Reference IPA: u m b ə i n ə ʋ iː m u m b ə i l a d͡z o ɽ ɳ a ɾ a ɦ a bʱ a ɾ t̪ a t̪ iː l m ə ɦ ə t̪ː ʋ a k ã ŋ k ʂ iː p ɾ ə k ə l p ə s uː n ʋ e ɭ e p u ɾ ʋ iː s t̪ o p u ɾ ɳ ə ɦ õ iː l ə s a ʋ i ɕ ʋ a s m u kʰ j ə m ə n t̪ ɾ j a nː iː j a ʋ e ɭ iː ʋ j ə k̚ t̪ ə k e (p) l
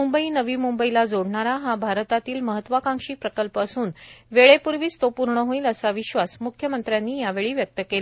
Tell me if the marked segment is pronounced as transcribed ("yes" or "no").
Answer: no